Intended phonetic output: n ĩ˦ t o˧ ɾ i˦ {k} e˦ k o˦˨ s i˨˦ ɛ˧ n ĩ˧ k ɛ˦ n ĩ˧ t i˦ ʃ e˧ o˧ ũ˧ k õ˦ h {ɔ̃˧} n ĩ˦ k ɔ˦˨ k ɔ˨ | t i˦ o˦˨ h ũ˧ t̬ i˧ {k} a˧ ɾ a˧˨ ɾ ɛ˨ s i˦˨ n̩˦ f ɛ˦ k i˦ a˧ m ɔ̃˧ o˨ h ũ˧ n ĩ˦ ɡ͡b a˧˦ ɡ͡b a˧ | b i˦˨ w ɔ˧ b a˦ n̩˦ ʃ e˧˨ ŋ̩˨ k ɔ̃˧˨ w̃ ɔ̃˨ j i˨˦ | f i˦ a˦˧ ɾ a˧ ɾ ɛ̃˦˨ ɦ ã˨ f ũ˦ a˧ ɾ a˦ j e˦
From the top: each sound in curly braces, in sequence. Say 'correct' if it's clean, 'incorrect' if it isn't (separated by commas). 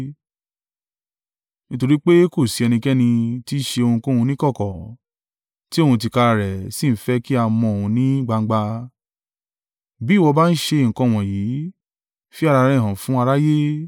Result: incorrect, incorrect, correct